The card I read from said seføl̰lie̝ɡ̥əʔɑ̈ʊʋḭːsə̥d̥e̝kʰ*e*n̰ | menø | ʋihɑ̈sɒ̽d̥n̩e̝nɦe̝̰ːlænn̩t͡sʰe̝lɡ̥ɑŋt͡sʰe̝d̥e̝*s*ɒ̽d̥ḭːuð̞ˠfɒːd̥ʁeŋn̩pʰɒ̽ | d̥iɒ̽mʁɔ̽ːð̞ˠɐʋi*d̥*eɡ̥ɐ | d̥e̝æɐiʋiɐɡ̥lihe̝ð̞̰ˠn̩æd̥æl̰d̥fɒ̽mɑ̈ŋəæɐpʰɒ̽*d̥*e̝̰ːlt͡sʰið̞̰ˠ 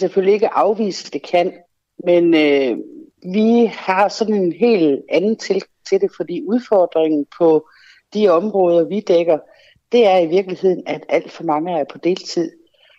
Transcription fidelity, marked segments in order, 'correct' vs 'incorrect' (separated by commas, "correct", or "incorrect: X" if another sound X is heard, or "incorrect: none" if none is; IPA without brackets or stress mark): incorrect: æ, incorrect: f, correct, correct